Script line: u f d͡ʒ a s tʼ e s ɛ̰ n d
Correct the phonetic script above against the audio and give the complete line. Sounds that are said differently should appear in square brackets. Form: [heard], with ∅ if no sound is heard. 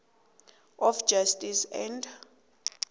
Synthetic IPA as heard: [ɔ] f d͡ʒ a s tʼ [i] s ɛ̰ n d